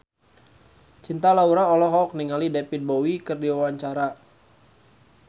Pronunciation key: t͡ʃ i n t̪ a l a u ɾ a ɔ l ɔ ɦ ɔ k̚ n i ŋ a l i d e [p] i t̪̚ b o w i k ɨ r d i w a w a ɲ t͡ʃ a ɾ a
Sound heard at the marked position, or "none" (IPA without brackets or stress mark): p